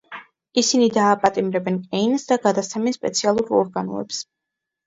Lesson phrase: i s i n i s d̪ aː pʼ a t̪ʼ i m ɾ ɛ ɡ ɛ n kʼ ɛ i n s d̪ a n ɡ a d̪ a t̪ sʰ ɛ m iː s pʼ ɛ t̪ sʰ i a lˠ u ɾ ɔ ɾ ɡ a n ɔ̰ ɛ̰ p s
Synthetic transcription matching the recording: i s i n i d̪ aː pʼ a t̪ʼ i m ɾ ɛ b ɛ n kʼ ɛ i n s d̪ a ɡ a d̪ a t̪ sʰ ɛ m i s pʼ ɛ t̪ sʰ i a lˠ u ɾ ɔ ɾ ɡ a n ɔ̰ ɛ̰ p s